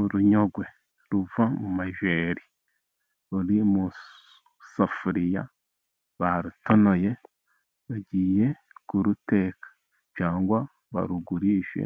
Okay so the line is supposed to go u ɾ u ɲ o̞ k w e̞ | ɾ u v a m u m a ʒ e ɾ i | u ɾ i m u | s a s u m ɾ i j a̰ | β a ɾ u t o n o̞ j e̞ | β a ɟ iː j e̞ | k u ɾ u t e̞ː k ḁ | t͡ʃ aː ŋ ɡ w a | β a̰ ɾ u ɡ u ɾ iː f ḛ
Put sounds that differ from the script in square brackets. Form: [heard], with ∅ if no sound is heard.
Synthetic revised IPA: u ɾ u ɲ o̞ [ɡ] w e̞ | ɾ u v a m u m a ʒ e ɾ i | u ɾ i m u | s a [f] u [∅] ɾ i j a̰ | β a ɾ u t o n o̞ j e̞ | β a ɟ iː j e̞ | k u ɾ u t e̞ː k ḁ | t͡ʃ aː ŋ ɡ w a | β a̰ ɾ u ɡ u ɾ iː [ʃ] ḛ